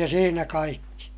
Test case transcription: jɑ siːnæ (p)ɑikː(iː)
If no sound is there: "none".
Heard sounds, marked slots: k, i

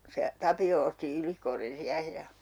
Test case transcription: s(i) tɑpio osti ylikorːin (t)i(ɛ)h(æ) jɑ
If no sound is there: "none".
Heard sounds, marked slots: e, s, æ, e

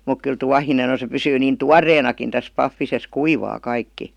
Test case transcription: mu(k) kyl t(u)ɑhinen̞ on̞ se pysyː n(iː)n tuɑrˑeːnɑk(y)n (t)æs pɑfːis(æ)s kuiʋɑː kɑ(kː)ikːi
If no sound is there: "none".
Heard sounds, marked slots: k, u, iː, i, t, e, none

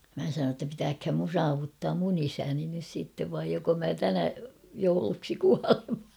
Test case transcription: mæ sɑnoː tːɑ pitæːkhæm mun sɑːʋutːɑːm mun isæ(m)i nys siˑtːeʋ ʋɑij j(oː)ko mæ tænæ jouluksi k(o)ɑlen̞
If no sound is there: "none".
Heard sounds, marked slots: n, o, u

